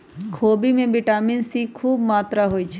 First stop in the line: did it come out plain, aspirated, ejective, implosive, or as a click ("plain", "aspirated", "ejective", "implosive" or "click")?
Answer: aspirated